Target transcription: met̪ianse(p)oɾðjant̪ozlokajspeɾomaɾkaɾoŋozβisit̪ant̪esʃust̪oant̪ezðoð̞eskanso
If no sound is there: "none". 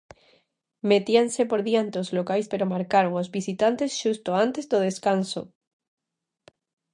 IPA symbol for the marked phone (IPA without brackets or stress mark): p